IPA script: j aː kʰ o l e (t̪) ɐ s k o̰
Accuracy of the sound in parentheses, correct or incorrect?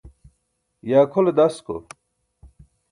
incorrect